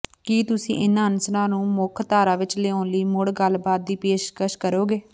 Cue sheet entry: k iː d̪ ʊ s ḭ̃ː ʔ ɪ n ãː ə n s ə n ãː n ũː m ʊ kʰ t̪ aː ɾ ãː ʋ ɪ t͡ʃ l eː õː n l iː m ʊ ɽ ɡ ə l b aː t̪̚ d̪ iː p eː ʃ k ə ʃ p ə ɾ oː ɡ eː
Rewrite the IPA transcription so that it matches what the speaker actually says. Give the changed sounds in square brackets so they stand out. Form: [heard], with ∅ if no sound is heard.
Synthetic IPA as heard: k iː [t̪] ʊ s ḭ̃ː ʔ ɪ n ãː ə n s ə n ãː n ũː m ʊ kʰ t̪ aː ɾ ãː ʋ ɪ t͡ʃ l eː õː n l iː m ʊ ɽ ɡ ə l b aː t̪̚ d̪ iː p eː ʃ k ə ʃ [k] ə ɾ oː ɡ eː